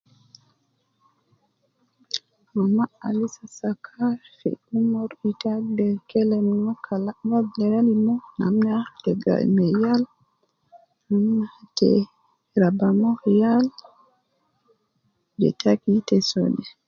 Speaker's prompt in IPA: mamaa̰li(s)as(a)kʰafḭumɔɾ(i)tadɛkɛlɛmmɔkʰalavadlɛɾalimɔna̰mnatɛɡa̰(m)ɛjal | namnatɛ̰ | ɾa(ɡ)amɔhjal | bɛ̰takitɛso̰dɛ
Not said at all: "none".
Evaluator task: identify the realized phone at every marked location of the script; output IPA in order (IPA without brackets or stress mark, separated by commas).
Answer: s, a, i, m, b